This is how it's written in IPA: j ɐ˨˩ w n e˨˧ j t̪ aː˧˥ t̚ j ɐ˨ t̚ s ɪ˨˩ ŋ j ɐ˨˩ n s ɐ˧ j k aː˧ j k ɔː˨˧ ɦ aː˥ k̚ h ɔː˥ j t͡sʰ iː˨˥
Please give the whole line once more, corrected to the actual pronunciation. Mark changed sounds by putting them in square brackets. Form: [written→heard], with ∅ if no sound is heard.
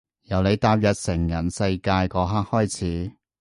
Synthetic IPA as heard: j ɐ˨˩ w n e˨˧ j t̪ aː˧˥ [t̚→p̚] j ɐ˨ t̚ s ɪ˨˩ ŋ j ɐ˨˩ n s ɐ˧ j k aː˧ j k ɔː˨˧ ɦ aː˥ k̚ h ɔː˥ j t͡sʰ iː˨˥